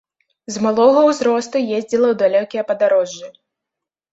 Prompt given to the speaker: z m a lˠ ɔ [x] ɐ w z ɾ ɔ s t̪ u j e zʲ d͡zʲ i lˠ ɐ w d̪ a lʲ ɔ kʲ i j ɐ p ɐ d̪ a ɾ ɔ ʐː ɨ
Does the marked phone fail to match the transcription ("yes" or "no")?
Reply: yes